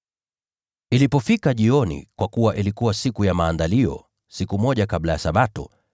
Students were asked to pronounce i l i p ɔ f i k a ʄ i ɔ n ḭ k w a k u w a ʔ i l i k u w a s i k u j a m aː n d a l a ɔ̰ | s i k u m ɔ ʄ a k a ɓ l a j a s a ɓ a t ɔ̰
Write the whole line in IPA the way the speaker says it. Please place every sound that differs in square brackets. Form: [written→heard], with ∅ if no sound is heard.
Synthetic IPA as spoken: i l i p ɔ f i k a ʄ i ɔ n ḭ k w a k u w a ʔ i l i k u w a s i k u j a m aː n d a l [a→i] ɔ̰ | s i k u m ɔ ʄ a k a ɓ l a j a s a ɓ a t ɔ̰